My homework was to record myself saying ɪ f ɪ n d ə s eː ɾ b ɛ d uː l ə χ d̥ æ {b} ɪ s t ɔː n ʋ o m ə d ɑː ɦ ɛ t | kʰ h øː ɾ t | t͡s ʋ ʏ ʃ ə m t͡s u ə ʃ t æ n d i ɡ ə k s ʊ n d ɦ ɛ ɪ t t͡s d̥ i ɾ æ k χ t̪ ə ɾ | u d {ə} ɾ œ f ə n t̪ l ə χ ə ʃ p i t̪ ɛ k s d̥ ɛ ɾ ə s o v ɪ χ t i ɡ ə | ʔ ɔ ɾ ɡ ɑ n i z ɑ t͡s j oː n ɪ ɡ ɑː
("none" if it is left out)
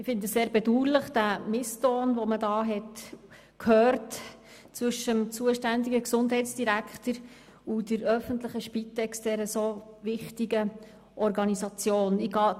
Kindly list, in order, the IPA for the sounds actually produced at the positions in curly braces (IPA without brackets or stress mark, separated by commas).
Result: m, ə